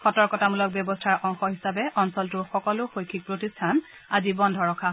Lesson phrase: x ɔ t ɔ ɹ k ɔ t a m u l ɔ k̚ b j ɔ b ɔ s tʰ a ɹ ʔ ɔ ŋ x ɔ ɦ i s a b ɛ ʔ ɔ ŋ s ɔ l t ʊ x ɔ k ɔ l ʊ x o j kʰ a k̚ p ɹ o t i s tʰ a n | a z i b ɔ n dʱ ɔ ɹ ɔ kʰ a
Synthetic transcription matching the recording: x ɔ t ɔ ɹ k ɔ t a m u l ɔ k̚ b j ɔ b ɔ s tʰ a ɹ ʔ ɔ ŋ x ɔ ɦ i s a b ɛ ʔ ɔ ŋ s ɔ l t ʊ x ɔ k ɔ l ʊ x o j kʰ i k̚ p ɹ o t i s tʰ a n | a z i b ɔ n dʱ ɔ ɹ ɔ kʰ a